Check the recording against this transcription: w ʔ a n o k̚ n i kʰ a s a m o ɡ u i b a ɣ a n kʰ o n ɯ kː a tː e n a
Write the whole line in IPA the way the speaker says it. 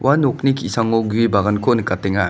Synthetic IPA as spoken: w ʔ a n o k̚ n i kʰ i s a ŋ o ɡ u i b a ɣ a n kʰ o n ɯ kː a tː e ŋ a